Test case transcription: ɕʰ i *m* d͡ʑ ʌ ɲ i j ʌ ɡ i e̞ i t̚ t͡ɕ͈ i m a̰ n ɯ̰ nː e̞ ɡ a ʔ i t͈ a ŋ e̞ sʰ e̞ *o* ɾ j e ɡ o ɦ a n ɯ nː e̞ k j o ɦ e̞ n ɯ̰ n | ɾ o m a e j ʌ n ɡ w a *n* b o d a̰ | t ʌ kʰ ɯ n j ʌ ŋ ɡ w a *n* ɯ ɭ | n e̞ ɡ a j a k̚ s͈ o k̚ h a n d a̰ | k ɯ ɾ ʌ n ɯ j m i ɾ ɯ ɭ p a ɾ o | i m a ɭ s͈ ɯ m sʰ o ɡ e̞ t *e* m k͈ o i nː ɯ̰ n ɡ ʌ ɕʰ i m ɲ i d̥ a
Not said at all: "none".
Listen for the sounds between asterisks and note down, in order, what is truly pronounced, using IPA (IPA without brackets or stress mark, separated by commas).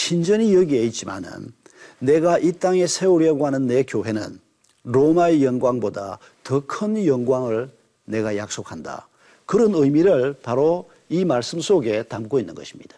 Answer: n, u, ŋ, ŋ, a